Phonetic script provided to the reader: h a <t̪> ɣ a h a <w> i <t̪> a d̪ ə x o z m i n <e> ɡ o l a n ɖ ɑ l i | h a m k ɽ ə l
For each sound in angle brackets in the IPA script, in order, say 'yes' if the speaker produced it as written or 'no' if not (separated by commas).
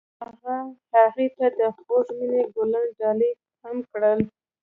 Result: no, no, yes, yes